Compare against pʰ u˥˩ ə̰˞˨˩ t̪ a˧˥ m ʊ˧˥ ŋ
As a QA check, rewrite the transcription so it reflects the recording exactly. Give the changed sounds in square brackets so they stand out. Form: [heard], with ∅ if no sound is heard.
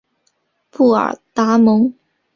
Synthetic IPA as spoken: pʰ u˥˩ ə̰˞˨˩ t̪ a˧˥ m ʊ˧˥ ŋ